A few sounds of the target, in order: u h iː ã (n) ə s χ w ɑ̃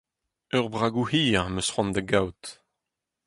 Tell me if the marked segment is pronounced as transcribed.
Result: no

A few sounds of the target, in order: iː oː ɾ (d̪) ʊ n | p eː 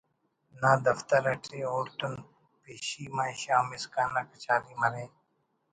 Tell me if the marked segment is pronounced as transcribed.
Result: no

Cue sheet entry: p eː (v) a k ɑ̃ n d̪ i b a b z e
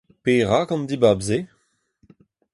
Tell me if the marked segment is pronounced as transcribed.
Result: no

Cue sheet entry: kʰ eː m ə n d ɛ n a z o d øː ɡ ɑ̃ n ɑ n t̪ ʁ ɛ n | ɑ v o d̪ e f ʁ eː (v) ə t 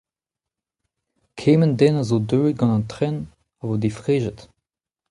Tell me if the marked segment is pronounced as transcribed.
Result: no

